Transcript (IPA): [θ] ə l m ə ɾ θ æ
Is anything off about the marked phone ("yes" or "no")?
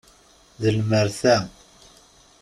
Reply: yes